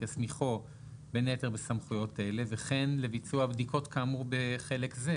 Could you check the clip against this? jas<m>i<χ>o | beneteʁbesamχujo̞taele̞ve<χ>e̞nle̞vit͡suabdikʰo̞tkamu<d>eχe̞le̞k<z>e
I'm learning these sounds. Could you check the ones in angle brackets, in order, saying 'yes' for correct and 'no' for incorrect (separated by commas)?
yes, yes, yes, no, yes